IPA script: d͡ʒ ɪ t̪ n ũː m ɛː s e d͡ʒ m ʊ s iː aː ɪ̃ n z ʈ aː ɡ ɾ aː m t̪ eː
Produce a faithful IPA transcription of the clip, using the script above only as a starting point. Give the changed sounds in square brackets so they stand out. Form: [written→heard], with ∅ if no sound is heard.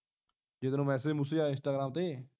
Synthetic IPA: d͡ʒ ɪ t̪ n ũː m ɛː s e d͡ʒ m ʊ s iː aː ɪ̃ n [z→s] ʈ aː ɡ ɾ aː m t̪ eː